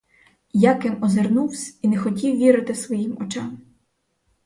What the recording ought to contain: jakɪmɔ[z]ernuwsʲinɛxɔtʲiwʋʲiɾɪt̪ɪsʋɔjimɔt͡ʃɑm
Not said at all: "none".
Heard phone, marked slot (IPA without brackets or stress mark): z